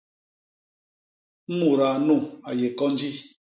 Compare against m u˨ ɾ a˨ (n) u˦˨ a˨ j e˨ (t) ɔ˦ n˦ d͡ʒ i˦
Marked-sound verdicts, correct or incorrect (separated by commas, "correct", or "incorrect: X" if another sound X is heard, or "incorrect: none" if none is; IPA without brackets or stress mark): correct, incorrect: k